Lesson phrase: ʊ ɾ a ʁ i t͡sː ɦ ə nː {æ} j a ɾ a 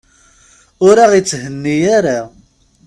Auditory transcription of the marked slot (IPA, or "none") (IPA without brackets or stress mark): i